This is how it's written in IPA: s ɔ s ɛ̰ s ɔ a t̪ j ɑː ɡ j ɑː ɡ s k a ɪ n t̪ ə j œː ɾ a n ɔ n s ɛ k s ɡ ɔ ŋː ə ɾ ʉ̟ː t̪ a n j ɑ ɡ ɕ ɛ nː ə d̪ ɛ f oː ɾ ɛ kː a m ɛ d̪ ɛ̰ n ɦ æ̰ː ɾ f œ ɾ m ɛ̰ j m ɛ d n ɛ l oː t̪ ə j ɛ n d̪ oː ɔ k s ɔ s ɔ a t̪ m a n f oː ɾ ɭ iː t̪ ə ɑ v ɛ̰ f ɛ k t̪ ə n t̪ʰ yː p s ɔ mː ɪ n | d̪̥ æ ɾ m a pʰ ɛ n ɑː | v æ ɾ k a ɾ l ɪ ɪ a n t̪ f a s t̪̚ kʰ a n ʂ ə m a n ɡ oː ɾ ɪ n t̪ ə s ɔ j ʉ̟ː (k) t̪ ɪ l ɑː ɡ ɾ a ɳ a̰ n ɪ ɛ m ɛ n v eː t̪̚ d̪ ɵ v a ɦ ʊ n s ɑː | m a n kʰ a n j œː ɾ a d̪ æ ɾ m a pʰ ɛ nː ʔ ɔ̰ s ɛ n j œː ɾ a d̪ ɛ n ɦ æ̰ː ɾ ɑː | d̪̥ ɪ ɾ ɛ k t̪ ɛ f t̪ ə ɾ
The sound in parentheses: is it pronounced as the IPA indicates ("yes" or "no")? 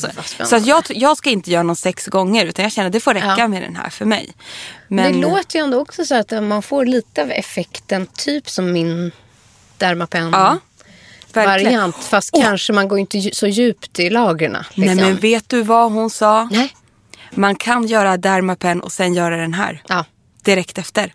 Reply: no